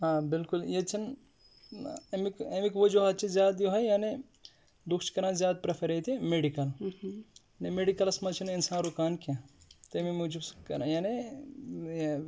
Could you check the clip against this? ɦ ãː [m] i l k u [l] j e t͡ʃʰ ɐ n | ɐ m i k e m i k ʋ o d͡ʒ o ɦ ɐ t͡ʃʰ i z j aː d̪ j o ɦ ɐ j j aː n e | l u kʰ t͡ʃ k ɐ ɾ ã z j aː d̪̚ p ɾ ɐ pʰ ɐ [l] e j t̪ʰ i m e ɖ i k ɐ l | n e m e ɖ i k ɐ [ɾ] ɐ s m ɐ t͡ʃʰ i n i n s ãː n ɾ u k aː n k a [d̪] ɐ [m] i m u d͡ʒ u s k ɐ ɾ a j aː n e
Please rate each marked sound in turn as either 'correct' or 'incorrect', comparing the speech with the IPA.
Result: incorrect, correct, incorrect, incorrect, incorrect, correct

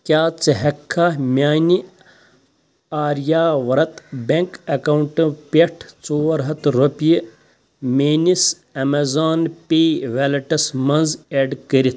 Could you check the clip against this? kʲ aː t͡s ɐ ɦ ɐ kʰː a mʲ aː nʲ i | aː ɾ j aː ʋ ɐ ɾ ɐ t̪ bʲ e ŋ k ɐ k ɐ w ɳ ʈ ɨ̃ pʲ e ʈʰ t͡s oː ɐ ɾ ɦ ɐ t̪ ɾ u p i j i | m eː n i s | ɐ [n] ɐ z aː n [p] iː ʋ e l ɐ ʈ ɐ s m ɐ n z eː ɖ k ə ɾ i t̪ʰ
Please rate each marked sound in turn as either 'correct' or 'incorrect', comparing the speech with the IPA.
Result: incorrect, correct

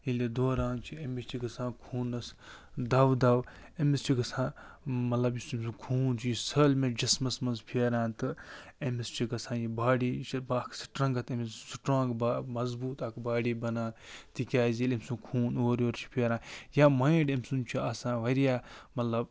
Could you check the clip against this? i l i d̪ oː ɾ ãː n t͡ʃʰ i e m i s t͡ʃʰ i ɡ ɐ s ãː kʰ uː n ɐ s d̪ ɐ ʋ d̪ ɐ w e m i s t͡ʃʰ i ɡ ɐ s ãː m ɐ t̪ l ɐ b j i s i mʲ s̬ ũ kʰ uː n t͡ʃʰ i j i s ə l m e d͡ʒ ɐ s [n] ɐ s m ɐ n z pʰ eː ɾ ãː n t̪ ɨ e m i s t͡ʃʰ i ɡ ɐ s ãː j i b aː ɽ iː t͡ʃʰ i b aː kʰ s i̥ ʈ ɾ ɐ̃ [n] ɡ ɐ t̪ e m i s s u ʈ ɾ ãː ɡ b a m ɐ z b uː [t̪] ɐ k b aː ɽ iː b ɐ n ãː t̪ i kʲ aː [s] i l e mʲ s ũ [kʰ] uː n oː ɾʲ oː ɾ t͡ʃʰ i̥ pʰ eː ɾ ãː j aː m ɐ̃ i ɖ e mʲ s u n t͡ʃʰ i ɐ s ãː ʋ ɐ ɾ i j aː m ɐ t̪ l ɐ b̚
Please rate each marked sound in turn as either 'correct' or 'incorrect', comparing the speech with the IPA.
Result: incorrect, incorrect, correct, incorrect, correct

